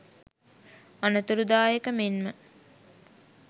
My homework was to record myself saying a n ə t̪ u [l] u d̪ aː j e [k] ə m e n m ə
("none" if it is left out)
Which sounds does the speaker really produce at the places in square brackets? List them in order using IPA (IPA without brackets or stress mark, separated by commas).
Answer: ɾ, k